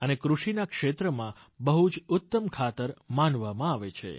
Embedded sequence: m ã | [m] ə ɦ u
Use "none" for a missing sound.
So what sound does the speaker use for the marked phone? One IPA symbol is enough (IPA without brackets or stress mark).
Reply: b